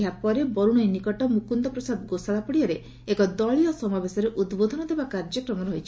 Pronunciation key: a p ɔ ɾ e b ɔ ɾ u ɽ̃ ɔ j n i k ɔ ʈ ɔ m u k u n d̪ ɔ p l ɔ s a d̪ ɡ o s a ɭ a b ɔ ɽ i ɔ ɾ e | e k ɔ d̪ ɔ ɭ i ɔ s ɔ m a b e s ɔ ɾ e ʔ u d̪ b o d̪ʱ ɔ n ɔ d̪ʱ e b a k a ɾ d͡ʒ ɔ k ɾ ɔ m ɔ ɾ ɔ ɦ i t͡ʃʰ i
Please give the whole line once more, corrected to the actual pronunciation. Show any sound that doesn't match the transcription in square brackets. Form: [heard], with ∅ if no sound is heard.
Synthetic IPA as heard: a p ɔ ɾ e b ɔ ɾ u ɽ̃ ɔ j n i k ɔ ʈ ɔ m u k u n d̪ ɔ p [ɾ] ɔ s a d̪ ɡ o s a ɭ a [p] ɔ ɽ i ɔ ɾ e | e k ɔ d̪ ɔ ɭ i ɔ s ɔ m a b e s ɔ ɾ e ʔ u d̪ b o d̪ʱ ɔ n ɔ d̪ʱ e b a k a ɾ d͡ʒ ɔ k ɾ ɔ m ɔ ɾ ɔ ɦ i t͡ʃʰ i

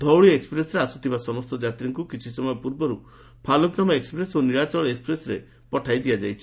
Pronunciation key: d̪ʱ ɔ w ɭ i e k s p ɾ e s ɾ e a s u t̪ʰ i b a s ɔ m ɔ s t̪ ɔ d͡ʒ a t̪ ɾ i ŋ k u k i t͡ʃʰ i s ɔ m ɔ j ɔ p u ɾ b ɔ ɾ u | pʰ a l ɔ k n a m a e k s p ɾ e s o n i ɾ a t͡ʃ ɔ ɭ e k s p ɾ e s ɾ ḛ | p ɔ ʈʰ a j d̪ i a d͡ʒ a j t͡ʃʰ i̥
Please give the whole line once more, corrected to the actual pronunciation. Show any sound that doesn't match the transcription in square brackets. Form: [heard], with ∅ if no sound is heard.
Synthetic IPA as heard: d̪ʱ ɔ w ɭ i e k s p ɾ e s ɾ e a s u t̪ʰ i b a s ɔ m ɔ s t̪ ɔ d͡ʒ a t̪ ɾ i ŋ k u k i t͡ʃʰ i s ɔ m ɔ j ɔ p u ɾ b ɔ ɾ u | pʰ a l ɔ k n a m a e k s p ɾ e s o n i ɾ a t͡ʃ ɔ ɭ e k s p ɾ e s ɾ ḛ | p ɔ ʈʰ a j d̪ i a d͡ʒ a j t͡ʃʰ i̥

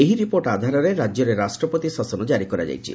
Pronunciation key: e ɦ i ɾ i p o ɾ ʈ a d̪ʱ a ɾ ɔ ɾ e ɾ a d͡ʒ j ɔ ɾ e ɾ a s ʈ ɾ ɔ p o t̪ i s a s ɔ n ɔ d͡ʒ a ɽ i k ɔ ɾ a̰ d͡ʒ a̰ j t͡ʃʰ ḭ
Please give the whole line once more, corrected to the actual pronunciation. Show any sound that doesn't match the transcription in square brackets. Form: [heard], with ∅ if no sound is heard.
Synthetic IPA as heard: e ɦ i ɾ i p o ɾ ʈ a d̪ʱ a ɾ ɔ ɾ e ɾ a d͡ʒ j ɔ ɾ e ɾ a s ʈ ɾ ɔ p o t̪ i s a s ɔ n ɔ d͡ʒ a [ɾ] i k ɔ ɾ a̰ d͡ʒ a̰ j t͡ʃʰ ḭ

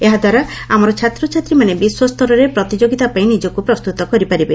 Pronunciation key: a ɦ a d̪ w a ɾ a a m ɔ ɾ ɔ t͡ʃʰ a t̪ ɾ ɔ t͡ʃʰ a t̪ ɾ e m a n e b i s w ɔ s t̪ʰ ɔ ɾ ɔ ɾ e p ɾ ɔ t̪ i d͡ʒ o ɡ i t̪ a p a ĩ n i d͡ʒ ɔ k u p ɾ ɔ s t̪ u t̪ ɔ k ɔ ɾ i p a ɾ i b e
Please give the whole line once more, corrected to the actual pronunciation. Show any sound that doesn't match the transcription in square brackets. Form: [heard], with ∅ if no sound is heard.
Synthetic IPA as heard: [e] ɦ a d̪ w a ɾ a a m ɔ ɾ ɔ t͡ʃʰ a t̪ ɾ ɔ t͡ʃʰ a t̪ ɾ [i] m a n e b i s w ɔ s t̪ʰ ɔ ɾ ɔ ɾ e p ɾ ɔ t̪ i d͡ʒ o ɡ i t̪ a p a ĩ n i d͡ʒ ɔ k u p ɾ ɔ s t̪ u t̪ ɔ k ɔ ɾ i p a ɾ i b e

